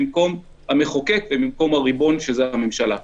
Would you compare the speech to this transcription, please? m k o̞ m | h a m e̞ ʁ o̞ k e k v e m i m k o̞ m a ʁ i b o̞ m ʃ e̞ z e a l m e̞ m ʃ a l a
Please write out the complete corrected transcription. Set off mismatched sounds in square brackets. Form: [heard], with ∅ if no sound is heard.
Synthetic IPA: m k o̞ m | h a m e̞ [χ] o̞ k e k v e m i m k o̞ m a ʁ i b o̞ [n] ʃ e̞ z e a [∅] m e̞ m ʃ a l a